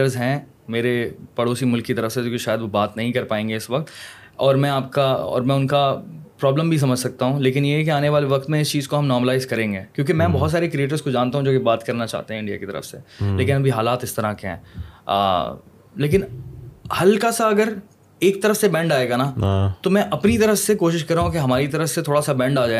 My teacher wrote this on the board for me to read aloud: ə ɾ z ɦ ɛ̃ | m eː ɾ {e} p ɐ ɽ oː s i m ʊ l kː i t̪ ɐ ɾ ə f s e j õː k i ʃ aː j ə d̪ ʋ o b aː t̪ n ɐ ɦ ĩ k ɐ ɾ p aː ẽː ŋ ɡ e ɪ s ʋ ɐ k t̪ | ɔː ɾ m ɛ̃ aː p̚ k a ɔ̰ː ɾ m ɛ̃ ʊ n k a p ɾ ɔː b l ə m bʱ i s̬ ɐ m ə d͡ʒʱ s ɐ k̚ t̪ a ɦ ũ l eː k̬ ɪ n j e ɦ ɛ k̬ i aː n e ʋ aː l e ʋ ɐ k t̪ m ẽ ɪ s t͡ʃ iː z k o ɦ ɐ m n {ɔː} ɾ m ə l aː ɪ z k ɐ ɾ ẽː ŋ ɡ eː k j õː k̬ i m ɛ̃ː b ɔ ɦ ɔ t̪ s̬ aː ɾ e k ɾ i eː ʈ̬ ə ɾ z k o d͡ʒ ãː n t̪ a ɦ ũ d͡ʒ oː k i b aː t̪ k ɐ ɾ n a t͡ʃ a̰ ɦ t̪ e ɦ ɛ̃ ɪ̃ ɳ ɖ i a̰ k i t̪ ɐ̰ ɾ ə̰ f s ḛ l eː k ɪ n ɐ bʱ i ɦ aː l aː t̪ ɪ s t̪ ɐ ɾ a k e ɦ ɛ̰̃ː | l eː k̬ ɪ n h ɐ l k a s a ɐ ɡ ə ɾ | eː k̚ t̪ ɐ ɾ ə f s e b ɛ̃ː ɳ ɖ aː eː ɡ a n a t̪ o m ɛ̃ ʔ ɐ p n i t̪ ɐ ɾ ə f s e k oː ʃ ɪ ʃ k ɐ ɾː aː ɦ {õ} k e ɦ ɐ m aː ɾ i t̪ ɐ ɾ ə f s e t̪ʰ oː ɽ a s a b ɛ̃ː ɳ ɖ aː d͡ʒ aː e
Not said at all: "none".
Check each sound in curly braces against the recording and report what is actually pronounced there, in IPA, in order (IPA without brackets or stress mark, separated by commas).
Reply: e, ɔː, ũ